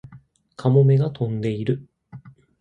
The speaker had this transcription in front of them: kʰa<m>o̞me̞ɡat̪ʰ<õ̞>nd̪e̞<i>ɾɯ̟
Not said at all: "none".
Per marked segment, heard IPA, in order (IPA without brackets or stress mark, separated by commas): m, õ̞, i